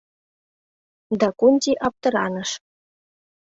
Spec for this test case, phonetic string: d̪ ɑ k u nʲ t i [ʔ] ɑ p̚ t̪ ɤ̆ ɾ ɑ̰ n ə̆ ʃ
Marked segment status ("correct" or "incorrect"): correct